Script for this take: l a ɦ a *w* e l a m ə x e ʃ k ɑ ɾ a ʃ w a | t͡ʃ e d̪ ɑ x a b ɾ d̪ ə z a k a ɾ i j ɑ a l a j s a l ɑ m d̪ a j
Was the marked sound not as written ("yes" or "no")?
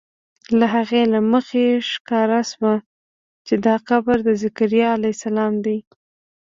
yes